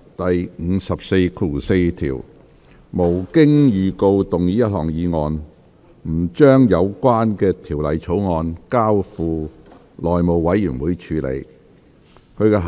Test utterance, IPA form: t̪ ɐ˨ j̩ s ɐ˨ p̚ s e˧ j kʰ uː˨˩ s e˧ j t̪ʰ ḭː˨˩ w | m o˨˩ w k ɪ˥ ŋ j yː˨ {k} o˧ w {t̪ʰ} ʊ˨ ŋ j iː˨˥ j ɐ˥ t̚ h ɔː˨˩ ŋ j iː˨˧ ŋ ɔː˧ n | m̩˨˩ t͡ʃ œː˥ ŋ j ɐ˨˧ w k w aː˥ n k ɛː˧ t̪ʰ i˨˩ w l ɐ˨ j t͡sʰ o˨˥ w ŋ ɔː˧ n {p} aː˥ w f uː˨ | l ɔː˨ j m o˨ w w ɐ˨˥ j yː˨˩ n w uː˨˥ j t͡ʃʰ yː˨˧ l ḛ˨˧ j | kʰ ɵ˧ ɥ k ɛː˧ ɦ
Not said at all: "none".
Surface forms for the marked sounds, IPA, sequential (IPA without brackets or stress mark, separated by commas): k, t̪, k